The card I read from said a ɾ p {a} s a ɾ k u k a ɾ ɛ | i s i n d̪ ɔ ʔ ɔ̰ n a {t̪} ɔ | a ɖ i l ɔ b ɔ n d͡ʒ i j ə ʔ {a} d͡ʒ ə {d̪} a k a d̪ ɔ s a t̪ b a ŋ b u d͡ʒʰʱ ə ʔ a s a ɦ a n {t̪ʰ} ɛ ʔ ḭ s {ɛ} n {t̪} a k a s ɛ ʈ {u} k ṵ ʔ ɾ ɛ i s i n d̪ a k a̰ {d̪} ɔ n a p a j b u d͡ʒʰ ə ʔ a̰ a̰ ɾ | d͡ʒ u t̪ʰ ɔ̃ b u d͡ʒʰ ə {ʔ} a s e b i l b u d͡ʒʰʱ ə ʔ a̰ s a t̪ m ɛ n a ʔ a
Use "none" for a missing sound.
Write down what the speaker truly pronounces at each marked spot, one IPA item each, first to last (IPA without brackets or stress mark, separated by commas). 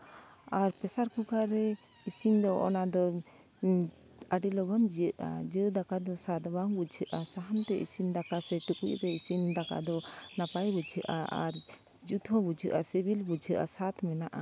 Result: ɛ, d̪, a, d̪, t̪, i, d̪, u, d̪, ʔ